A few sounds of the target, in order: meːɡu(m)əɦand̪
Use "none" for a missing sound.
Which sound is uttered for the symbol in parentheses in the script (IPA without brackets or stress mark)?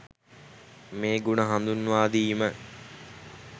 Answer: n